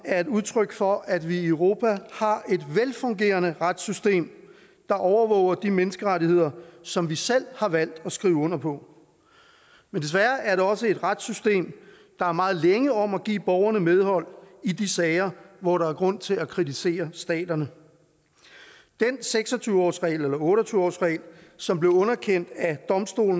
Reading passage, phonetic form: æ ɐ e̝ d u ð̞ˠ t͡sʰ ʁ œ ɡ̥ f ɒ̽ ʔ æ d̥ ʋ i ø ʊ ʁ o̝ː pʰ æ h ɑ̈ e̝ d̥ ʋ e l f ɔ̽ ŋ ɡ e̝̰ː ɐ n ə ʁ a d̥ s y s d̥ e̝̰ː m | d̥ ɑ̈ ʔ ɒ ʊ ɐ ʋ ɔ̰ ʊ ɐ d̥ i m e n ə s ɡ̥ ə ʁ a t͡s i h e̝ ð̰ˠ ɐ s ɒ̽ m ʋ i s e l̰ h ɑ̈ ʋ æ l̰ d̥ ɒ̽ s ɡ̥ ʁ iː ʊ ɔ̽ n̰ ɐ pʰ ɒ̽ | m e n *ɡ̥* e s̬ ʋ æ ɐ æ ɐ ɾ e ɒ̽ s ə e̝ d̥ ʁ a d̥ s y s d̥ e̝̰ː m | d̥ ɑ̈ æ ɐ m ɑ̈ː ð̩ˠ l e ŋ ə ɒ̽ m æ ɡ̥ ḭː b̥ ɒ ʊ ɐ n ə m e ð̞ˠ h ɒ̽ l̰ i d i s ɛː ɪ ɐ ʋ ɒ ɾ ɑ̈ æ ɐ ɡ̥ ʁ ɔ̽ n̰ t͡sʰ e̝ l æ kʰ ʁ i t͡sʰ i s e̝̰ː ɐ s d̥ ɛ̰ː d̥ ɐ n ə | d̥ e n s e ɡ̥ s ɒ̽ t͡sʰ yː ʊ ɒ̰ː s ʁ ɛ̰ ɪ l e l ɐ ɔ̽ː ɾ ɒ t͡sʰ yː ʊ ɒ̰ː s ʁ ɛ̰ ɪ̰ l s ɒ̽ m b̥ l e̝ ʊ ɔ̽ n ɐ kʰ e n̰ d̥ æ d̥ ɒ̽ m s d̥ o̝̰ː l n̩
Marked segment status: incorrect: d̥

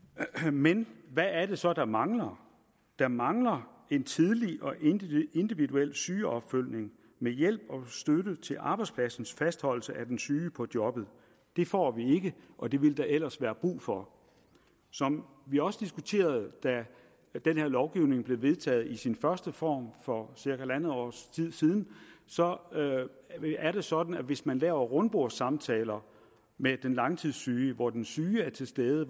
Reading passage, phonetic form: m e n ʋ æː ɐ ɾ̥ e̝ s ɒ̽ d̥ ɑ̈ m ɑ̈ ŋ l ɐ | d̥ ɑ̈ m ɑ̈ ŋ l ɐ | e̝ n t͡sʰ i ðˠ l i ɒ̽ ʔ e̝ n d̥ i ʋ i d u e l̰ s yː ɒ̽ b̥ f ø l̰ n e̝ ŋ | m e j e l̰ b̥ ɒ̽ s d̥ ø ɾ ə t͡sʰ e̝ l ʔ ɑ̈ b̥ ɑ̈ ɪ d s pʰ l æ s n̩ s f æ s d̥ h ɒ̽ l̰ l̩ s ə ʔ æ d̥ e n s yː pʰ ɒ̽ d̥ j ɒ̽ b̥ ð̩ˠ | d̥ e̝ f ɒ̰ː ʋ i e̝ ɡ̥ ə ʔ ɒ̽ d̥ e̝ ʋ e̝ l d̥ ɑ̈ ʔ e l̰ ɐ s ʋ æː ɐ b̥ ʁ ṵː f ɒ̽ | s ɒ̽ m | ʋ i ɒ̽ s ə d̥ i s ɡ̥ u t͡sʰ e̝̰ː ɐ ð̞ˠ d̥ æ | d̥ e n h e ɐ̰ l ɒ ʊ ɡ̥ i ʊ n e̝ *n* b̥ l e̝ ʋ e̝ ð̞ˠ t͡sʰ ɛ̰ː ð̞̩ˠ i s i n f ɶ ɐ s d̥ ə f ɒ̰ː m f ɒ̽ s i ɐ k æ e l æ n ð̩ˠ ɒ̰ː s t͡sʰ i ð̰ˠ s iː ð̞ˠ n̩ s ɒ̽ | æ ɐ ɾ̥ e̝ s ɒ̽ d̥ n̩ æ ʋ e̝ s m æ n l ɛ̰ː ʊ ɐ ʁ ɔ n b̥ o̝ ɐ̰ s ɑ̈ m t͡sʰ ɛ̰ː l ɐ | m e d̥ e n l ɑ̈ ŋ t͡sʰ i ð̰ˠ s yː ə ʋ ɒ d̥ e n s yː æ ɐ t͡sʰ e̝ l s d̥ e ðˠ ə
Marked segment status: incorrect: ŋ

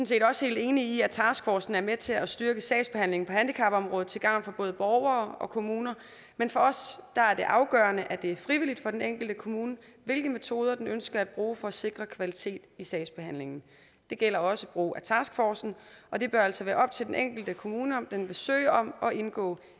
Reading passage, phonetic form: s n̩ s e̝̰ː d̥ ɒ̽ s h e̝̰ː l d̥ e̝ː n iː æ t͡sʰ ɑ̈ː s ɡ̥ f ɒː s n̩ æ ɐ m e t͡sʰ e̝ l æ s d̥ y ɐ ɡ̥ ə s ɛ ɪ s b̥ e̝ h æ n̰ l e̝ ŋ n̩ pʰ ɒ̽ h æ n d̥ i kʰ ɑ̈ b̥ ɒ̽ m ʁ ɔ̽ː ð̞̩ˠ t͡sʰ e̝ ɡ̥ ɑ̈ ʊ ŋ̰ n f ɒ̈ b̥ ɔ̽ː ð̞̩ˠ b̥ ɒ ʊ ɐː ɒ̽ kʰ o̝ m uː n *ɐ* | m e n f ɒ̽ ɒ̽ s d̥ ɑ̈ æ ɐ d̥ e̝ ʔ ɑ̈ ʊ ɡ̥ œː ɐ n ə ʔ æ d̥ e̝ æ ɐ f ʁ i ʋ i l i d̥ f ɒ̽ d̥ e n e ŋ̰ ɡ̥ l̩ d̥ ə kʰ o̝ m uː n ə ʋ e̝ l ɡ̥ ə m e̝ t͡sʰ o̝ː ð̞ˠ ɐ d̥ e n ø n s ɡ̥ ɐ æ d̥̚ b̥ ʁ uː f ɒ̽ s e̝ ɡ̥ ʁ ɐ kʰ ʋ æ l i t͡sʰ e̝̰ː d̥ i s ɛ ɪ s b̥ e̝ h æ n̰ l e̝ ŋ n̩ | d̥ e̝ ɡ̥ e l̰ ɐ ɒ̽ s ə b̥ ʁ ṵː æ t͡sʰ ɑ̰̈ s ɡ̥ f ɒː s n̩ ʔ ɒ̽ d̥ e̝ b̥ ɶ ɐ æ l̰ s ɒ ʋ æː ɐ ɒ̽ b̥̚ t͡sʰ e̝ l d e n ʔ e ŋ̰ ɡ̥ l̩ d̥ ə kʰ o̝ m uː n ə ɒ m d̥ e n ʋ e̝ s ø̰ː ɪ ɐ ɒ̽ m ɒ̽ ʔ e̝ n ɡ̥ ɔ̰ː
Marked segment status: correct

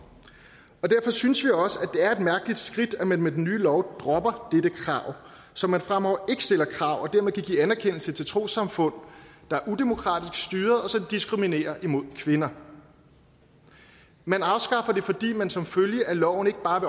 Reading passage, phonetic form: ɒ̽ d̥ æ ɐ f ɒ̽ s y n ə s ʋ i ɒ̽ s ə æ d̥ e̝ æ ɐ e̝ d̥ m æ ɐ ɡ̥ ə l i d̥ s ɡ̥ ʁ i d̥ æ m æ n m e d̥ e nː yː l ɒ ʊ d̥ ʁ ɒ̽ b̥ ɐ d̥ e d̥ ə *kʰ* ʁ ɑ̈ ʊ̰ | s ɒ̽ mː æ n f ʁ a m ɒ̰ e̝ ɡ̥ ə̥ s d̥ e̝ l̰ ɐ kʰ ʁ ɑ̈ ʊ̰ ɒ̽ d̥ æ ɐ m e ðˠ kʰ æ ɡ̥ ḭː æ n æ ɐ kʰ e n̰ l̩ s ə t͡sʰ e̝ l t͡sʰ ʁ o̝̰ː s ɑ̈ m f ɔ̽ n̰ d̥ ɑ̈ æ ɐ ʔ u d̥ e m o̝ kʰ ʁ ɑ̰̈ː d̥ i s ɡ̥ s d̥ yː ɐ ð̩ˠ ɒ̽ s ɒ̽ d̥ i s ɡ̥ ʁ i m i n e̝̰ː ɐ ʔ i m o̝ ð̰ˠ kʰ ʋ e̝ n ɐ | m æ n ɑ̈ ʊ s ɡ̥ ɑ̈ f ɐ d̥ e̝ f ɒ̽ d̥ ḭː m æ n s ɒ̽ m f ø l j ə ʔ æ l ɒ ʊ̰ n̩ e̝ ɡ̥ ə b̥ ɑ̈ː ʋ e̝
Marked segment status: correct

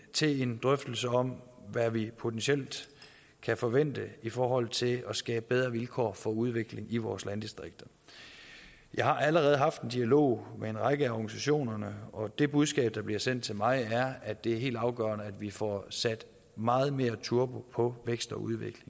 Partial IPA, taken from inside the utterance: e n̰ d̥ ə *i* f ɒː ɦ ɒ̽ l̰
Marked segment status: correct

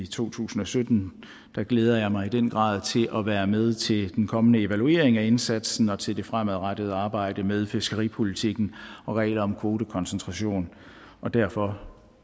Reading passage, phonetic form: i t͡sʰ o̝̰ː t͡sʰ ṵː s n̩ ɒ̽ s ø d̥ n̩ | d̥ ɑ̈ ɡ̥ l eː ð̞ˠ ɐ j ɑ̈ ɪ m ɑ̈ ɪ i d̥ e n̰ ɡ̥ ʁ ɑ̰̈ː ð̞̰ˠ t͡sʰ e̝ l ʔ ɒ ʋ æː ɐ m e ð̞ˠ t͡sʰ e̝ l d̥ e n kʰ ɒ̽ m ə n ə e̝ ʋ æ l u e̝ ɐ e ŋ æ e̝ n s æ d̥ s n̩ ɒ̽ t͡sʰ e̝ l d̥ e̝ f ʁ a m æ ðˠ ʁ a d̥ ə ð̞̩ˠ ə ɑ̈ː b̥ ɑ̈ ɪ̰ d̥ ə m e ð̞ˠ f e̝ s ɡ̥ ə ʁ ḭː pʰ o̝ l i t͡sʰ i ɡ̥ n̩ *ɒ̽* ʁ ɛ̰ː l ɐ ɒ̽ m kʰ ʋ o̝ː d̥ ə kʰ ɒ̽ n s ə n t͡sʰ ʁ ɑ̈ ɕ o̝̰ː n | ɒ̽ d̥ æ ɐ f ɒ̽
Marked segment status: correct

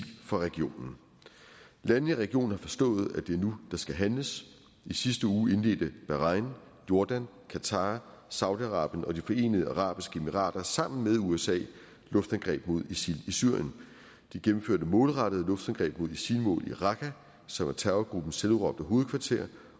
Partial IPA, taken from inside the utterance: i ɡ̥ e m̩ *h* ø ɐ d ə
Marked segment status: incorrect: f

